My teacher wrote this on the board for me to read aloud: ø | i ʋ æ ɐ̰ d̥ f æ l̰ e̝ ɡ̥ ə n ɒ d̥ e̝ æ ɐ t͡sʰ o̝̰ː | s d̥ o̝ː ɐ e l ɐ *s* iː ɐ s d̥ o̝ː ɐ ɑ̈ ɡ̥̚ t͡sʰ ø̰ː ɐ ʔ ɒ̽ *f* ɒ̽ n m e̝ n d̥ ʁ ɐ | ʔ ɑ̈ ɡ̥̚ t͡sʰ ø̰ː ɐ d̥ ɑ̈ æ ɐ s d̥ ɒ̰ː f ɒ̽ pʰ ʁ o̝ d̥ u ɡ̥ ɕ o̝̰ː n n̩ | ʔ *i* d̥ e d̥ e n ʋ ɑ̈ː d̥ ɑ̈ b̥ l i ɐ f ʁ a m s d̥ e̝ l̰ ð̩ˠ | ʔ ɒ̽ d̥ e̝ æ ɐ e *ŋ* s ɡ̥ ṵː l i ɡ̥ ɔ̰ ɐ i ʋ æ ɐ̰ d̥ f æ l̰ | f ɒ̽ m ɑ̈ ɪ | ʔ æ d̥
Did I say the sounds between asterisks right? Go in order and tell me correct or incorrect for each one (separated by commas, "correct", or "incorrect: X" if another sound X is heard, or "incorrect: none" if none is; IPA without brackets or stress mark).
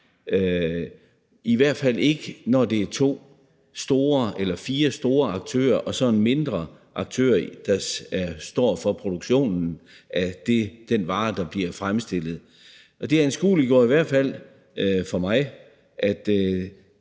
incorrect: f, incorrect: s, incorrect: æ, incorrect: n